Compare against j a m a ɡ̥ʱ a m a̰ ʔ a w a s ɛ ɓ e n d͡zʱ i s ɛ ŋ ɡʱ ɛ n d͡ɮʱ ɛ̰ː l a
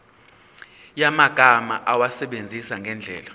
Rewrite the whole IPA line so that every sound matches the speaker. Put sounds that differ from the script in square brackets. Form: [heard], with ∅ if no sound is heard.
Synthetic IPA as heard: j a m a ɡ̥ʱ a m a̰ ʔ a w a s ɛ ɓ e n d͡zʱ i s [a] ŋ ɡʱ ɛ n d͡ɮʱ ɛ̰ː l a

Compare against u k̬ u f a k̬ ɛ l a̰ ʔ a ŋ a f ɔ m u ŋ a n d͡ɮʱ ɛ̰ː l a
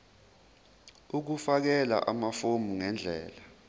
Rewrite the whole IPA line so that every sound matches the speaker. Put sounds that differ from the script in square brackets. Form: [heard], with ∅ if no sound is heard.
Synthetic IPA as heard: u k̬ u f a k̬ ɛ l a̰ ʔ a [m] a f [o] m u ŋ [ɛ] n d͡ɮʱ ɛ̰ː l a

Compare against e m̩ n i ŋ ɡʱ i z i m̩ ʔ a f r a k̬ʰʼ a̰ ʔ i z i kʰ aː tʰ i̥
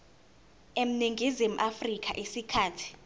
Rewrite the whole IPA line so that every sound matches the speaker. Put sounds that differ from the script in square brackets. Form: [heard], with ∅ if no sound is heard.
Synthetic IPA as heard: e m̩ n i ŋ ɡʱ i z i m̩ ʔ a f r [i] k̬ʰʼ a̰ ʔ i [s] i kʰ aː tʰ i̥

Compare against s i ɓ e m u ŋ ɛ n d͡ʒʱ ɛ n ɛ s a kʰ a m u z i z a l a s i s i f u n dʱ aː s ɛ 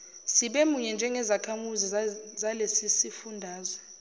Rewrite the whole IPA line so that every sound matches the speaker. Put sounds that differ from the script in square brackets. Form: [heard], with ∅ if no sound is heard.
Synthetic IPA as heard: s i ɓ e m u [ɲ] ɛ n d͡ʒʱ ɛ [ŋ] ɛ [z] a kʰ a m u z i z a l [e] s i s i f u n dʱ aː [z] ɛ

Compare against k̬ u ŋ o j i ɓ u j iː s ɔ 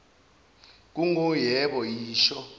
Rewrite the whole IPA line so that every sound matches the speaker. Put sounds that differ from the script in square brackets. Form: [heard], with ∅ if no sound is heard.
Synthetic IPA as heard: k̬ u ŋ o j [ɛ] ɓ [ɔ] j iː [ʃ] ɔ

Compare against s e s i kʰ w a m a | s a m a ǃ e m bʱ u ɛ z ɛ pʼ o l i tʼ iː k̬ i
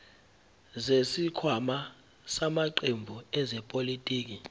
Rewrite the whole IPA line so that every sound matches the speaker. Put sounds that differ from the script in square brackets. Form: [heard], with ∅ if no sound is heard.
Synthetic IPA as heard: [z] e s i kʰ w a m a | s a m a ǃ e m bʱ u ɛ z ɛ pʼ o l i tʼ iː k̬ i

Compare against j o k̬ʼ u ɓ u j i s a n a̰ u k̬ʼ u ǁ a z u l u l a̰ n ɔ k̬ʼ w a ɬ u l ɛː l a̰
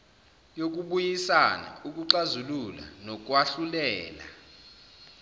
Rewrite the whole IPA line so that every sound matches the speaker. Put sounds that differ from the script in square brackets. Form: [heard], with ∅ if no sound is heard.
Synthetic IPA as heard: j o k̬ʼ u ɓ u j i s a n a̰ u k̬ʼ u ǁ a z u l u l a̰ n ɔ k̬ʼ w a ɬ u l ɛː l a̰

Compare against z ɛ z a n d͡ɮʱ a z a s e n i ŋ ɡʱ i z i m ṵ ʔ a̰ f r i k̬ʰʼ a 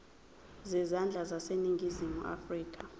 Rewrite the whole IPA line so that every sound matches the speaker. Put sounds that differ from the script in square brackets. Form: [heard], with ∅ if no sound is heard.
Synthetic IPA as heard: z ɛ z a n d͡ɮʱ a z a s e n i ŋ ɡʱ i z i m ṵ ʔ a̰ f r [iː] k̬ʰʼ a

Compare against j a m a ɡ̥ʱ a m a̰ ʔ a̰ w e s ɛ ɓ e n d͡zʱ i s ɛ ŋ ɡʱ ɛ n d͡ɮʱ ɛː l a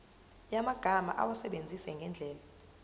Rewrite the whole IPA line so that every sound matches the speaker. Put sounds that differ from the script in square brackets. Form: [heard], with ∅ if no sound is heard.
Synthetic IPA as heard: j a m a ɡ̥ʱ a m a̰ ʔ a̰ w [a] s ɛ ɓ e n d͡zʱ i s ɛ ŋ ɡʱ ɛ n d͡ɮʱ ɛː l a

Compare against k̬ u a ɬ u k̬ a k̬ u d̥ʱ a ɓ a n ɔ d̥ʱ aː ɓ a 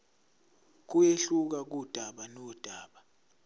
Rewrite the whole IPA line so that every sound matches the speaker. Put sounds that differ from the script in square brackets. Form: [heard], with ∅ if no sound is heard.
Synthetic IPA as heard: k̬ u [e] ɬ u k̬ a k̬ u d̥ʱ a ɓ a n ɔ d̥ʱ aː ɓ a

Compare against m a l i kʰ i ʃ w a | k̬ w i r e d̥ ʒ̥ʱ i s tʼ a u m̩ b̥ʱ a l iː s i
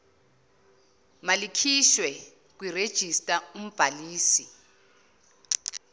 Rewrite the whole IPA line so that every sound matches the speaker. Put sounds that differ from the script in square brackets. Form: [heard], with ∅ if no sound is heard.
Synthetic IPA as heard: m a l i kʰ i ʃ w [ɛ] | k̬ w i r e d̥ ʒ̥ʱ i s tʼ a u m̩ b̥ʱ a l iː s i

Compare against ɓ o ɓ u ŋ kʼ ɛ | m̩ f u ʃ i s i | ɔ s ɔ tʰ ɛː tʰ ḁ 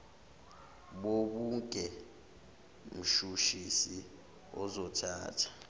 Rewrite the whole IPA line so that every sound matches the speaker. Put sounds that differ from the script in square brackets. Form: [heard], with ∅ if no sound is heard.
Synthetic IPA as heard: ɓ o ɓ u ŋ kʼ ɛ | m̩ [ʃ] u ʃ i s i | ɔ [z] ɔ tʰ [aː] tʰ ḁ

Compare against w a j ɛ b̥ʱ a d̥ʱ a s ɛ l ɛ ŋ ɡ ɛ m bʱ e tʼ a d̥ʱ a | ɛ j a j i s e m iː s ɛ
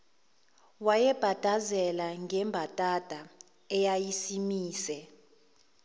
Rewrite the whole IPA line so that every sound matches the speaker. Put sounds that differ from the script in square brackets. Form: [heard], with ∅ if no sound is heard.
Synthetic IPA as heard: w a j ɛ b̥ʱ a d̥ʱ a [z] ɛ l [a] ŋ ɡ ɛ m bʱ [a] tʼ a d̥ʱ a | ɛ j a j i s [i] m iː s ɛ

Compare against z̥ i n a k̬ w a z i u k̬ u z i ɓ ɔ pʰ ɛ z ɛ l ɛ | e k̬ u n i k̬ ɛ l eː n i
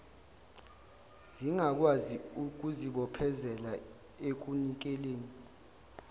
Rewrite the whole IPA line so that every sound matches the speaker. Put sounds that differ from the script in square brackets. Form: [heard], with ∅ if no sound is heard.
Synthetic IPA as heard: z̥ i [ŋ] a k̬ w a z i u k̬ u z i ɓ ɔ pʰ ɛ z ɛ l [a] | e k̬ u n i k̬ ɛ l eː n i

